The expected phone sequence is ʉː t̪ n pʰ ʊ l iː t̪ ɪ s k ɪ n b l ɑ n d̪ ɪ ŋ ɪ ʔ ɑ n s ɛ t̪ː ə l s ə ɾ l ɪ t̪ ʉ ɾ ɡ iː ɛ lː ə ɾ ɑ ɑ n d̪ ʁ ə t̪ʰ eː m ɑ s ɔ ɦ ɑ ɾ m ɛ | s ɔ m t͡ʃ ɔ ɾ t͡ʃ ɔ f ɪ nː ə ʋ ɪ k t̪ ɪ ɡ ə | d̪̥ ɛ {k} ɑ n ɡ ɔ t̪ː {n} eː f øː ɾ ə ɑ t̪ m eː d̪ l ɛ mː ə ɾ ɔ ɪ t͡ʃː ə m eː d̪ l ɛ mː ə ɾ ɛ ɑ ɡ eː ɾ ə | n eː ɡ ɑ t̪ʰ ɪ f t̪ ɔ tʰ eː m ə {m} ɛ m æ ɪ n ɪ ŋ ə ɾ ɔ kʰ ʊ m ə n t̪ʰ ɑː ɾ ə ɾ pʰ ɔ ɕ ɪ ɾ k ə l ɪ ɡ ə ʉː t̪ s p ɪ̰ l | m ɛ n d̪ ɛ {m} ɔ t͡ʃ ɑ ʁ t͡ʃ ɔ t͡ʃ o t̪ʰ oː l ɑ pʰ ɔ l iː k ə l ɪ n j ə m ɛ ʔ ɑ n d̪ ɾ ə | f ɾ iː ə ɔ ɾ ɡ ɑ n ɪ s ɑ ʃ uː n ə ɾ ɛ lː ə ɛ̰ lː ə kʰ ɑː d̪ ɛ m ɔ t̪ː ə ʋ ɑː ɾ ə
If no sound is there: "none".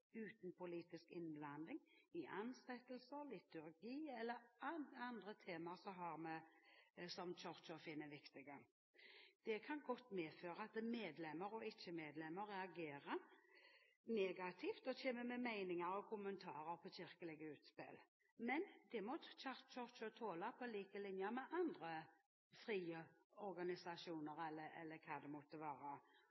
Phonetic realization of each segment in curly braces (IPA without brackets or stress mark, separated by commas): kʰ, m, m, m